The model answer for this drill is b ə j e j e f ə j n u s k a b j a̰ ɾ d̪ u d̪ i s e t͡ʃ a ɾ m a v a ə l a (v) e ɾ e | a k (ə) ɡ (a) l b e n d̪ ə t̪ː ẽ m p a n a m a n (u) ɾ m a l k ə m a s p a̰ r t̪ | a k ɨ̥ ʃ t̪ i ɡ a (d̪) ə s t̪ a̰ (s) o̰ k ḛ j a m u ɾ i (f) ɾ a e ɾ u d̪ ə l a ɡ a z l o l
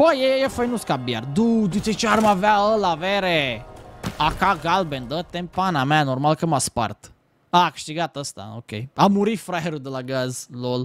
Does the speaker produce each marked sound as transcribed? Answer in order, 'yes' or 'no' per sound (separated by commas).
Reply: yes, no, yes, no, no, no, yes